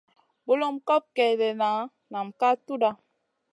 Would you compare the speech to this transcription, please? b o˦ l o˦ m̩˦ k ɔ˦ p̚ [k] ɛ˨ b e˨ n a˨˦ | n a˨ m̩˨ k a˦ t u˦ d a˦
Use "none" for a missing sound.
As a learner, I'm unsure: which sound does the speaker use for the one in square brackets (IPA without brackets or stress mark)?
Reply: k